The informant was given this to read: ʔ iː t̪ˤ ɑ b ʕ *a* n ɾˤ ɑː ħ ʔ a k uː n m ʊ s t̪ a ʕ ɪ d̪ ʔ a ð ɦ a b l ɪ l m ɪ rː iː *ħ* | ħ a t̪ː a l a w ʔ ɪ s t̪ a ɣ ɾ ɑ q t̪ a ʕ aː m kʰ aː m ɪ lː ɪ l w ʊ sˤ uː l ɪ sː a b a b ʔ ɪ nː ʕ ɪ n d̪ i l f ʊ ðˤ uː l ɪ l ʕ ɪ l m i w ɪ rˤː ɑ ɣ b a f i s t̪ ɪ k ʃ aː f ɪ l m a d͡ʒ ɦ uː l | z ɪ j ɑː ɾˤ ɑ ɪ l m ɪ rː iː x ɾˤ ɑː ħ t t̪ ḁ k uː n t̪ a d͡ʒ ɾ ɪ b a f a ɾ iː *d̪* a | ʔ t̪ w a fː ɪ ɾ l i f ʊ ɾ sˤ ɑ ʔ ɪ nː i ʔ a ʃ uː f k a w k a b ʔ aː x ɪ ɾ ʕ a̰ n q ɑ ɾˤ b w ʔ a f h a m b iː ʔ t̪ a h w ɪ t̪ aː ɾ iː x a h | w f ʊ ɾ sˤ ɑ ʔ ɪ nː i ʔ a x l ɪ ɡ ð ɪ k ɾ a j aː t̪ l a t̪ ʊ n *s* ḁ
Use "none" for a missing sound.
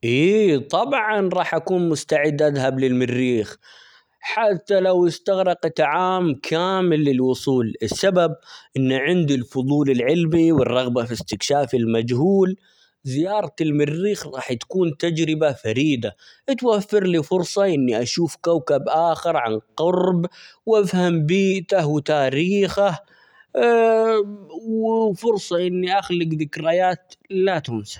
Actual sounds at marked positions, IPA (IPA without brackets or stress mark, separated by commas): ɑ, x, d̪, s